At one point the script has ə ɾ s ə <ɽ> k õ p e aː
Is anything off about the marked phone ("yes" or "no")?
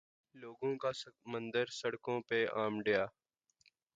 no